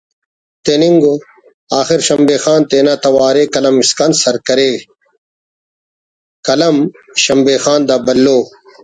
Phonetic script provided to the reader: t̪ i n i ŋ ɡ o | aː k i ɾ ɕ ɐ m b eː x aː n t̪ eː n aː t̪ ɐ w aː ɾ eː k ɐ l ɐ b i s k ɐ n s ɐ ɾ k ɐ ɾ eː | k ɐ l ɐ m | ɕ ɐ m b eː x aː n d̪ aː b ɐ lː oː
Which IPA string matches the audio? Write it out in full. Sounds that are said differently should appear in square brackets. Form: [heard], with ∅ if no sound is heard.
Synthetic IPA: t̪ [e] n i ŋ ɡ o | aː [x] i ɾ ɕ ɐ m b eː x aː n t̪ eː n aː t̪ ɐ w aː ɾ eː k ɐ l ɐ [m] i s k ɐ n s ɐ ɾ k ɐ ɾ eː | k ɐ l ɐ m | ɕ ɐ m b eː x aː n d̪ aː b ɐ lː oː